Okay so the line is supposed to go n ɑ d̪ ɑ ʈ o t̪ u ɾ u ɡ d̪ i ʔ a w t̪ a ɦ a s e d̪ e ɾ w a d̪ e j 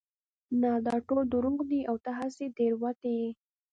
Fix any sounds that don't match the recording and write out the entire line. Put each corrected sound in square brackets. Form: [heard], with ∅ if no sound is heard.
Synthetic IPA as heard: n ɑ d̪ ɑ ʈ o [d̪] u ɾ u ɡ d̪ i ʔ a w t̪ a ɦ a s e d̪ e ɾ w a [t̪] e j